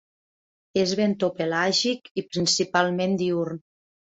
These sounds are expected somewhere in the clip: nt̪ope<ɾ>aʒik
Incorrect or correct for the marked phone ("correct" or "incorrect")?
incorrect